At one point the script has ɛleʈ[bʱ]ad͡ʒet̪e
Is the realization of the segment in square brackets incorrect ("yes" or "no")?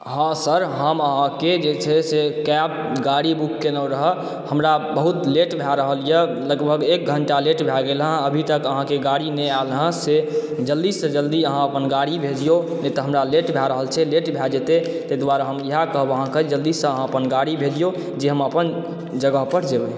no